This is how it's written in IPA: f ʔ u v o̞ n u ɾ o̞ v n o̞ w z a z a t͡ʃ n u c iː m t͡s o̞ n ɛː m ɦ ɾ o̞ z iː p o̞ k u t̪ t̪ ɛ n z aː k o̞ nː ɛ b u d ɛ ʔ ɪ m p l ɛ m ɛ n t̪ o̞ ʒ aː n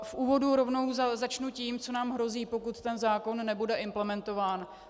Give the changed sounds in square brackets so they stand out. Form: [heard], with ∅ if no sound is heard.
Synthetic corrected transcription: f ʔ [uː] v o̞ [d] u ɾ o̞ v n o̞ w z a z a t͡ʃ n u c iː m t͡s o̞ n [aː] m ɦ ɾ o̞ z iː p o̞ k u t̪ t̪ ɛ n z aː k o̞ nː ɛ b u d ɛ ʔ ɪ m p l ɛ m ɛ n t̪ o̞ [v] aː n